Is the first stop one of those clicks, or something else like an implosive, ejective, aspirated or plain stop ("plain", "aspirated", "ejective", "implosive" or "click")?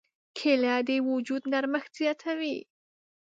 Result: aspirated